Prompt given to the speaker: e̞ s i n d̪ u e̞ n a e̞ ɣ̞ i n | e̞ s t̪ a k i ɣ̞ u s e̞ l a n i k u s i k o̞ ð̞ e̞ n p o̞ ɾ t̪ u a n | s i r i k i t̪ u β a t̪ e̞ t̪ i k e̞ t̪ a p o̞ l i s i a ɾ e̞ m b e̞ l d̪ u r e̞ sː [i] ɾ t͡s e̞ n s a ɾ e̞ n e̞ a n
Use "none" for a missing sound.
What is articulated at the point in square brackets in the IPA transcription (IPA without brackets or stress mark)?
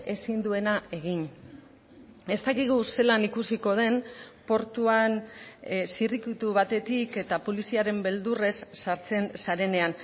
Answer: a